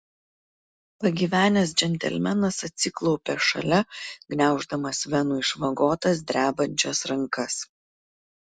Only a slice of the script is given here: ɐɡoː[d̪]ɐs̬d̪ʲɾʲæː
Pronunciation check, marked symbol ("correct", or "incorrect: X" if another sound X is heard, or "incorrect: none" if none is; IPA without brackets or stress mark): incorrect: t̪